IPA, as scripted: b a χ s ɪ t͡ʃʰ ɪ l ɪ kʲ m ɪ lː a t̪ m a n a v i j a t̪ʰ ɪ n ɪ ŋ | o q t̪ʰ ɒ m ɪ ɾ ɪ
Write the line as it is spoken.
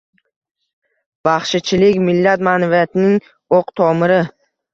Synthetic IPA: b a χ ʃ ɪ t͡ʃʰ ɪ l ɪ kʲ m ɪ lː a t̪ m a n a v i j a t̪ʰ ɪ n ɪ ŋ | o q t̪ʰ ɒ m ɪ ɾ ɪ